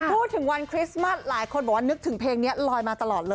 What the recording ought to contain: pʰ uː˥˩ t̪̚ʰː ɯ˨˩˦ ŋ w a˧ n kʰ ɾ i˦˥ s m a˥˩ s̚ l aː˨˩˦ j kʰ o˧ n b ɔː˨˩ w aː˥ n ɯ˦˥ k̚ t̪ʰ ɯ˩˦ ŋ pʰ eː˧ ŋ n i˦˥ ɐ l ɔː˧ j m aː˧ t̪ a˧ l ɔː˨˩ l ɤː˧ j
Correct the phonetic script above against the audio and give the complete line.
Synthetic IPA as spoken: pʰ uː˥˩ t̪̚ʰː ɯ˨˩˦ ŋ w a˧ n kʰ ɾ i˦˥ s m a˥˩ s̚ l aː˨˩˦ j kʰ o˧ n b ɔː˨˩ w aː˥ n ɯ˦˥ k̚ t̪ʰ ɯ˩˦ ŋ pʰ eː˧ ŋ n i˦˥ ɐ l ɔː˧ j m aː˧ t̪ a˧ l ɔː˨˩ l ɤː˧ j